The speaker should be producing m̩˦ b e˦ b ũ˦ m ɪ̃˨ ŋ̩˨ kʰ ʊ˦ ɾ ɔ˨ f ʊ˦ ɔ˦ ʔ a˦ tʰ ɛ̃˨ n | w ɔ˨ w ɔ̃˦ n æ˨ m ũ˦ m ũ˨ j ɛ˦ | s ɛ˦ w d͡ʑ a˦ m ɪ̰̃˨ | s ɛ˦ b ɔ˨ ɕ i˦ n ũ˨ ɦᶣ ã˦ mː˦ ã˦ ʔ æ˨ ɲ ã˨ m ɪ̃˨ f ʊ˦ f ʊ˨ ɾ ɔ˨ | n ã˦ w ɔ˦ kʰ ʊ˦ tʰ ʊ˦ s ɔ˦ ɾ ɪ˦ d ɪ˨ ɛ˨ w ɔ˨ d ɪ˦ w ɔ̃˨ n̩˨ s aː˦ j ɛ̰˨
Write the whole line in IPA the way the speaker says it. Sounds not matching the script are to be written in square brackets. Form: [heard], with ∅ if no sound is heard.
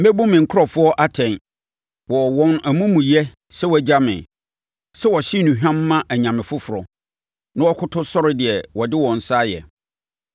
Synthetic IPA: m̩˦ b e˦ b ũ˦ m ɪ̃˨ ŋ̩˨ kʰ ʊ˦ ɾ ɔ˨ f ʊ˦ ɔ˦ ʔ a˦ tʰ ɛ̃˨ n | w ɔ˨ w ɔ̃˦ n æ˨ m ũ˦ m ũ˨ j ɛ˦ | s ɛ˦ w d͡ʑ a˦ m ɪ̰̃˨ | s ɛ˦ [w] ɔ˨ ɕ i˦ n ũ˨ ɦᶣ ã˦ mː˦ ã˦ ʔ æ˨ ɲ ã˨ m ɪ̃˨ f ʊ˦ f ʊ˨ ɾ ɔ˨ | n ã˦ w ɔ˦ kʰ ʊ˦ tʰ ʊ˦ s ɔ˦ ɾ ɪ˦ d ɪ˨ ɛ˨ w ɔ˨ d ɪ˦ w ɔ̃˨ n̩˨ s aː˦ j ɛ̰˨